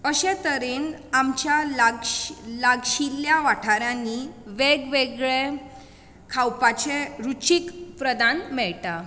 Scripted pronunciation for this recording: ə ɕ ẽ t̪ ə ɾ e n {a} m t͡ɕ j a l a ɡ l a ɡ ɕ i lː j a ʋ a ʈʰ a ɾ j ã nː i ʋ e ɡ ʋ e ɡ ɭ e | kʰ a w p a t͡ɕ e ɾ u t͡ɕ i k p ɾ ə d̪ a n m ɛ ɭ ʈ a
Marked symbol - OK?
yes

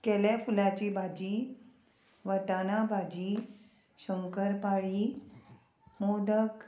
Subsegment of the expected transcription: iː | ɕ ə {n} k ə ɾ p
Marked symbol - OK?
no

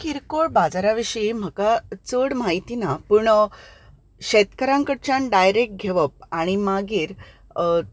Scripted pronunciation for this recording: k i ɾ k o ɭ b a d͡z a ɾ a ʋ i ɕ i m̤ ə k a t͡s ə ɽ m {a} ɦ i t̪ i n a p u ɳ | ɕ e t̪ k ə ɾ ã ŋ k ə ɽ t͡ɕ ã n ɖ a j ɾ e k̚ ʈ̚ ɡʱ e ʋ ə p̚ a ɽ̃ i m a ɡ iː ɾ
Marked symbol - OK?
yes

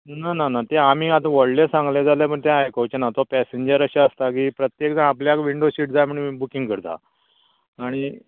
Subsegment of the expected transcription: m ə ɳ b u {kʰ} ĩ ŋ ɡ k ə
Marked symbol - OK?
no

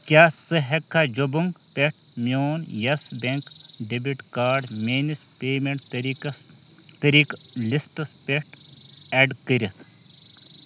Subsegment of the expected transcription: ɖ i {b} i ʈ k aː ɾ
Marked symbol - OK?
yes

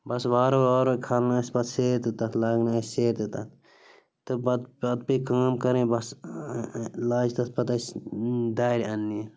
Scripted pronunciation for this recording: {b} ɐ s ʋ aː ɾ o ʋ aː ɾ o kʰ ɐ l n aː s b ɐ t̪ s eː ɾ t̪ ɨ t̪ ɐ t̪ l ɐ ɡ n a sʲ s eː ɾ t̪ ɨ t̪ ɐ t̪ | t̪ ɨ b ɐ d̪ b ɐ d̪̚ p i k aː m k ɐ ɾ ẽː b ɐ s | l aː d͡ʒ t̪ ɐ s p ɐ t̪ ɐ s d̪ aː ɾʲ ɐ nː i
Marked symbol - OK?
yes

